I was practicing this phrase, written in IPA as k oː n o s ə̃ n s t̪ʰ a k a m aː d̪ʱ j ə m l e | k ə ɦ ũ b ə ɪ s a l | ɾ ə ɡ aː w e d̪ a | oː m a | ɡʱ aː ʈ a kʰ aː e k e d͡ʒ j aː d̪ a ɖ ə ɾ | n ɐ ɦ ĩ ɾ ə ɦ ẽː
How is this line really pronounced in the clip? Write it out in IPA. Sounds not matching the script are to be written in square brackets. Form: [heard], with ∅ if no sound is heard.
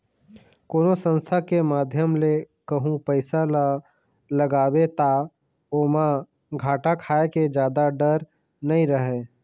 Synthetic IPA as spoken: k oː n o s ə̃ n s t̪ʰ a k [e] m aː d̪ʱ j ə m l e | k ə ɦ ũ [p] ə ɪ s a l | [l] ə ɡ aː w e [t̪] a | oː m a | ɡʱ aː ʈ a kʰ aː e k e d͡ʒ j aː d̪ a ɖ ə ɾ | n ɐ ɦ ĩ ɾ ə ɦ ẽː

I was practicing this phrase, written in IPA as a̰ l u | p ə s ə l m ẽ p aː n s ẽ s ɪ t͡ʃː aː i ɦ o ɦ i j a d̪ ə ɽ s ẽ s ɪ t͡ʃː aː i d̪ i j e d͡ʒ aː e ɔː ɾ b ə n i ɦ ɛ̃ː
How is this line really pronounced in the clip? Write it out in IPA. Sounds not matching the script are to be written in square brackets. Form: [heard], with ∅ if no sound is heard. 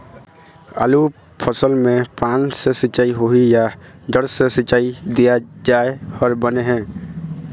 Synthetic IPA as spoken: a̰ l u | [pʰ] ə s ə l m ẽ p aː n s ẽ s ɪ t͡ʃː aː i ɦ o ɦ i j a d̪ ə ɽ s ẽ s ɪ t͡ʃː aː i d̪ i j [a] d͡ʒ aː e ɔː ɾ b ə n [e] ɦ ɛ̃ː

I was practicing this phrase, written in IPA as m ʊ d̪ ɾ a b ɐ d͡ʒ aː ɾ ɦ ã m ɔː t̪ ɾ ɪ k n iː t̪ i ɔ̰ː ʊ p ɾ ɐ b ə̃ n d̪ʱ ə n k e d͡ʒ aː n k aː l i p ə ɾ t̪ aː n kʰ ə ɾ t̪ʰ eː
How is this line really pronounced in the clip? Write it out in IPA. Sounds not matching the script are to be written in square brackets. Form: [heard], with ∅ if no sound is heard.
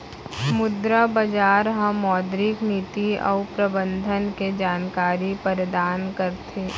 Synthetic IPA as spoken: m ʊ d̪ ɾ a b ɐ d͡ʒ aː ɾ ɦ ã m ɔː [d̪] ɾ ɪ k n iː t̪ i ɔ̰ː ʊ p ɾ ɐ b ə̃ n d̪ʱ ə n k e d͡ʒ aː n k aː [ɾ] i p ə ɾ [d̪] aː n [k] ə ɾ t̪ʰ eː

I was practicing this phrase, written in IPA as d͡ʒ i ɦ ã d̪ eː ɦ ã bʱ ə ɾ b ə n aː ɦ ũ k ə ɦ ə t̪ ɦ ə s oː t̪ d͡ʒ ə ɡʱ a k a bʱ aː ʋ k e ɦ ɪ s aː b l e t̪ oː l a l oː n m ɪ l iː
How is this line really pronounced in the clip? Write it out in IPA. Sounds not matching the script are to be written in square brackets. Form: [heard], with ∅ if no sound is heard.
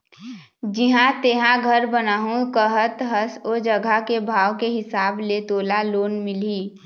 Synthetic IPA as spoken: d͡ʒ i ɦ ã [t̪] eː ɦ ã [ɡʱ] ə ɾ b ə n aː ɦ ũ k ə ɦ ə t̪ ɦ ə s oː [∅] d͡ʒ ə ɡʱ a k [e] bʱ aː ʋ k e ɦ ɪ s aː b l e t̪ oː l a l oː n m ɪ l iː

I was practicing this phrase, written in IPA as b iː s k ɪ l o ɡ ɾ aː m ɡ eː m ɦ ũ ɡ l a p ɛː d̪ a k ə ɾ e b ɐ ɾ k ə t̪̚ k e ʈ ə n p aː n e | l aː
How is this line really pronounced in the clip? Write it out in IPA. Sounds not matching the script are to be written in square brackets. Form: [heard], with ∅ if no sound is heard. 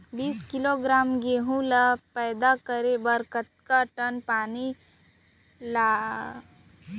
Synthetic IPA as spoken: b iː s k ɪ l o ɡ ɾ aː m ɡ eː [∅] ɦ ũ [∅] l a p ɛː d̪ a k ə ɾ e b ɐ ɾ k ə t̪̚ k [a] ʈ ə n p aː n [i] | l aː

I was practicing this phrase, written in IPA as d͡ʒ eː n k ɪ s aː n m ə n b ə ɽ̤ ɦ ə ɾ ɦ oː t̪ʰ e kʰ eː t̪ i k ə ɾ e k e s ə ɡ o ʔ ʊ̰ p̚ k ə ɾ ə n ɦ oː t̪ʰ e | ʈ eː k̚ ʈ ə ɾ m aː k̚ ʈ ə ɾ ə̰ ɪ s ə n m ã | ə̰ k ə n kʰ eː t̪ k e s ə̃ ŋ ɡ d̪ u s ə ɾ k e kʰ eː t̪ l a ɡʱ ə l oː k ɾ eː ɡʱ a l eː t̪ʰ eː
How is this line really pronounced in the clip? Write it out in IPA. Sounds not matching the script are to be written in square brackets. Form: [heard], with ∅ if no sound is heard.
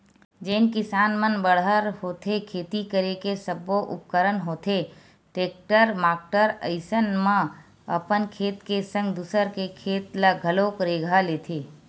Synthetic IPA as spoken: d͡ʒ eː n k ɪ s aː n m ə n b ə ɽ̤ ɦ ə ɾ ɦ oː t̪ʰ e kʰ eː t̪ i k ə ɾ e k e s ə [b] o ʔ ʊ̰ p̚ k ə ɾ ə n ɦ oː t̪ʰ e | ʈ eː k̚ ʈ ə ɾ m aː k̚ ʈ ə ɾ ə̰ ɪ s ə n m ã | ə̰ [p] ə n kʰ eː t̪ k e s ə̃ ŋ ɡ d̪ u s ə ɾ k e kʰ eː t̪ l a ɡʱ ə l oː k ɾ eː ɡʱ a l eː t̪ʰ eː

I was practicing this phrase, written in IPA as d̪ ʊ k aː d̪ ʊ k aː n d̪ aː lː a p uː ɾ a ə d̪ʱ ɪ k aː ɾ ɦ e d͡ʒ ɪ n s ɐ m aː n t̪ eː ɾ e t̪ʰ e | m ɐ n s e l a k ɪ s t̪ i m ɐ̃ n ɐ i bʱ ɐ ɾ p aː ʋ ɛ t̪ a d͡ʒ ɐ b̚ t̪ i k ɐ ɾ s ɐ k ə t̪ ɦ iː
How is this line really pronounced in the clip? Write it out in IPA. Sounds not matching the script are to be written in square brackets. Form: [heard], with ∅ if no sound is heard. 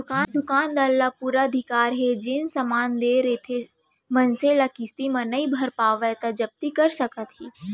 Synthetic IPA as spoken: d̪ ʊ k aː d̪ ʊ k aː n d̪ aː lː a p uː ɾ a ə d̪ʱ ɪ k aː ɾ ɦ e d͡ʒ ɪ n s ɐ m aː n [d̪] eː ɾ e t̪ʰ e | m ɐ n s e l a k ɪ s t̪ i m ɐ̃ n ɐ i bʱ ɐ ɾ p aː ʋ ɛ t̪ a d͡ʒ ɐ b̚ t̪ i k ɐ ɾ s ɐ k ə t̪ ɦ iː

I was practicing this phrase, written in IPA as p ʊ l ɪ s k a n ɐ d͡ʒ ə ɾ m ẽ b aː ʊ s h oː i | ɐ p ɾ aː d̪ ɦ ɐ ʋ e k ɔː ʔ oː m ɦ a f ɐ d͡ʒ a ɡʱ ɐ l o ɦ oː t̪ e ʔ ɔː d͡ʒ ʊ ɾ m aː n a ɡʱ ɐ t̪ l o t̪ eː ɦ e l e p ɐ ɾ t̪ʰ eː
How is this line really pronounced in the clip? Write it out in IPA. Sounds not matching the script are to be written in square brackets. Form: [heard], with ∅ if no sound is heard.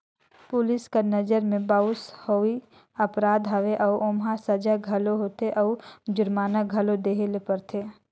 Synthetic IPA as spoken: p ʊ l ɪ s k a n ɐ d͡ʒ ə ɾ m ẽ b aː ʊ s h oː i | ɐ p ɾ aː d̪ ɦ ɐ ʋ e [ʔ] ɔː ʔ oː m ɦ a [s] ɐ d͡ʒ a ɡʱ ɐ l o ɦ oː t̪ e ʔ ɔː d͡ʒ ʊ ɾ m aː n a ɡʱ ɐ [∅] l o [d̪] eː ɦ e l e p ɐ ɾ t̪ʰ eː

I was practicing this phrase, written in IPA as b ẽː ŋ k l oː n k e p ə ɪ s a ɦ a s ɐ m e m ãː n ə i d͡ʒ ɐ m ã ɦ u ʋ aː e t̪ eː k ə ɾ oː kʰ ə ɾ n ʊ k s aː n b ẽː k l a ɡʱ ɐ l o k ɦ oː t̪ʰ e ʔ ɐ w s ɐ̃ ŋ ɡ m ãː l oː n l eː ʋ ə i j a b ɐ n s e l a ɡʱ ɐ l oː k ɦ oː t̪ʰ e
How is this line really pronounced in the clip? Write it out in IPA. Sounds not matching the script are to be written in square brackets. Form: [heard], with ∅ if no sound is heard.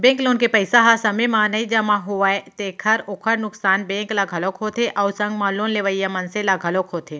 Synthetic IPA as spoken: b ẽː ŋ k l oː n k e p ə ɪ s a ɦ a s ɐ m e m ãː n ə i d͡ʒ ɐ m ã ɦ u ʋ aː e t̪ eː [kʰ] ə ɾ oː kʰ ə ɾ n ʊ k s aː n b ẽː k l a ɡʱ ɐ l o k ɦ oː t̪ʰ e ʔ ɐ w s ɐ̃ ŋ ɡ m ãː l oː n l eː ʋ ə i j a [m] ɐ n s e l a ɡʱ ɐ l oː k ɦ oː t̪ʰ e

